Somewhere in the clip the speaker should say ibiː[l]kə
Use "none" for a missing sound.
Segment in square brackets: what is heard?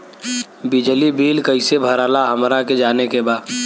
l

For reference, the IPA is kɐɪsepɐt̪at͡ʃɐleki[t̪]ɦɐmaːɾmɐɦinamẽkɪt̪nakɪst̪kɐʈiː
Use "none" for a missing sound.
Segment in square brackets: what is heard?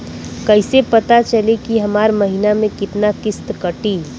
none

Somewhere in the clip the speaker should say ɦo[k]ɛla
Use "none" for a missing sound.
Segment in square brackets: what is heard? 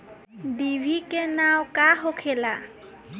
kʰ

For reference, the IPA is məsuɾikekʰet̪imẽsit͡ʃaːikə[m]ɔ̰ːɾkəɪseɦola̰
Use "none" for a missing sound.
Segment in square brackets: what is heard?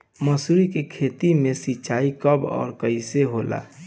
b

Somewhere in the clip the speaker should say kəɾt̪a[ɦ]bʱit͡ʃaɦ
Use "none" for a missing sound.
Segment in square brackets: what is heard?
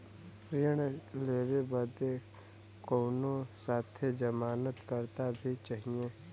none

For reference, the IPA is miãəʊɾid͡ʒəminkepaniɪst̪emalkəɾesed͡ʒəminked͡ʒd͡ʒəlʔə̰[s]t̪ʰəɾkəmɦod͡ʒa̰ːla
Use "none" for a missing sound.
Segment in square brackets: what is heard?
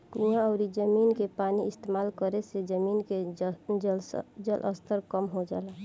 s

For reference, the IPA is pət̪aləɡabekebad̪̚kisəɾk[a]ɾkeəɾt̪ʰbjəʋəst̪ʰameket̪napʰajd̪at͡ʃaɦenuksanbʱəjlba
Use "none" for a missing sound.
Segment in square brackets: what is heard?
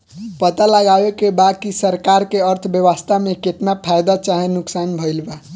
a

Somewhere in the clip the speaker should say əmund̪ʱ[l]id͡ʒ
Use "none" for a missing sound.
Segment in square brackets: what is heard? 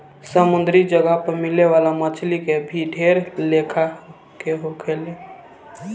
ɾ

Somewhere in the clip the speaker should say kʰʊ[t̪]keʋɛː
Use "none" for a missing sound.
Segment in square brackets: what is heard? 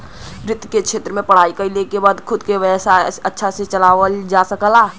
d̪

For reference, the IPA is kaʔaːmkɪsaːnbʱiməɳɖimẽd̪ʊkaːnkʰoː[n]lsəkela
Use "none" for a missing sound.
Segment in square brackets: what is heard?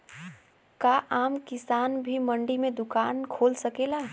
none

